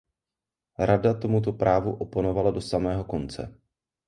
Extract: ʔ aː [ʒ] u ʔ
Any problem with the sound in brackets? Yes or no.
yes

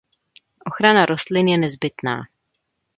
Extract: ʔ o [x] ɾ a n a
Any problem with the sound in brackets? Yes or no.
no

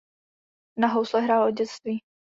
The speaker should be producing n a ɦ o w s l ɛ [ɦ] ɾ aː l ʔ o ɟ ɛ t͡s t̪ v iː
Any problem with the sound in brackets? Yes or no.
no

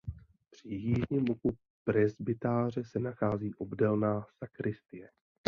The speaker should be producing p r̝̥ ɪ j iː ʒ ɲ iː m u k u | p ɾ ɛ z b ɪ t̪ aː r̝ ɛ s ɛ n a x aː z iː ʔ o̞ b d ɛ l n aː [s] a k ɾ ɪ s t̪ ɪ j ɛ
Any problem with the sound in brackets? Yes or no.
no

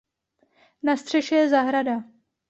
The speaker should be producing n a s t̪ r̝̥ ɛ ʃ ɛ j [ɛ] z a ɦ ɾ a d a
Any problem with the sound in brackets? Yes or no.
no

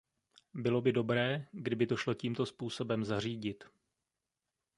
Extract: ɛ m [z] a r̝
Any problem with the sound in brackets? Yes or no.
no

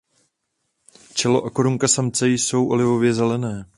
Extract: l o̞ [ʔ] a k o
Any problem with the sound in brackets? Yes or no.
no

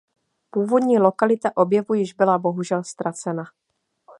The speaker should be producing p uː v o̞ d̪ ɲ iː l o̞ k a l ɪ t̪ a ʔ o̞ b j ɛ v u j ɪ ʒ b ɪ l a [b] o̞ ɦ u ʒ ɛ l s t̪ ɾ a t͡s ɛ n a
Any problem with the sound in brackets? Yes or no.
no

